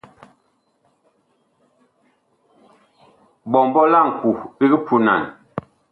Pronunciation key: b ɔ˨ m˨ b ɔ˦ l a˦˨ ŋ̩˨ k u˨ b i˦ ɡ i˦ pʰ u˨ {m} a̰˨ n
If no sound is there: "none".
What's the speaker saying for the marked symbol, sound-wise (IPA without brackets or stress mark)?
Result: n